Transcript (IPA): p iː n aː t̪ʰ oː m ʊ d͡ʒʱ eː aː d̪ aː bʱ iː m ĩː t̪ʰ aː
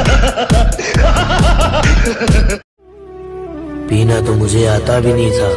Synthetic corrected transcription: p iː n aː t̪ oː m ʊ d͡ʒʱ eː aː t̪ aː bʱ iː n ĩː t̪ʰ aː